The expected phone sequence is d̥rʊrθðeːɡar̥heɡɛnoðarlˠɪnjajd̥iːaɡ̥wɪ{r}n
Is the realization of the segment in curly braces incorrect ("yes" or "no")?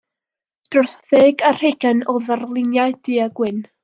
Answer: yes